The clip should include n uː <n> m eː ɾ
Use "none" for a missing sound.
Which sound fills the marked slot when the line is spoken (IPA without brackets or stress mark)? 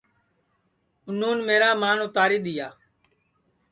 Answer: n